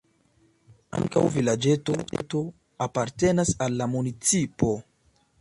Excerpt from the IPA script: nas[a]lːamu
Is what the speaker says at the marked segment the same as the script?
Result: yes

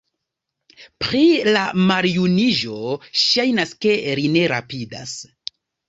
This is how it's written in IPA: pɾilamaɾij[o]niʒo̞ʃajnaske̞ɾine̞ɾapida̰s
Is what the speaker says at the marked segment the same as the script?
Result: no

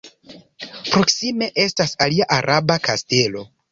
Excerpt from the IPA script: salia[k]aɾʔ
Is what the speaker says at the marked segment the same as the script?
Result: no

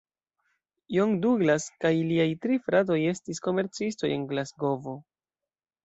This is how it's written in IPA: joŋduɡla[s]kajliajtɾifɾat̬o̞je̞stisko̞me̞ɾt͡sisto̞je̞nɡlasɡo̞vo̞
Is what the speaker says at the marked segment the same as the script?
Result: yes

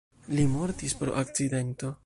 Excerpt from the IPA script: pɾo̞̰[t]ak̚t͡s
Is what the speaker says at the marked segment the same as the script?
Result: no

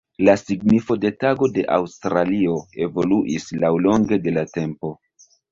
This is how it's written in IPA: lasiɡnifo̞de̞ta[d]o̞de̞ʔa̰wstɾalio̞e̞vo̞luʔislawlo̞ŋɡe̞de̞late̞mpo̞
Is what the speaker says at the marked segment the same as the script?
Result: no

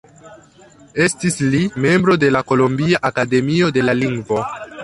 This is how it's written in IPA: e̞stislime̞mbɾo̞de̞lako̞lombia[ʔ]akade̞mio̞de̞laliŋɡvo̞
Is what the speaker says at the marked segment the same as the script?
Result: yes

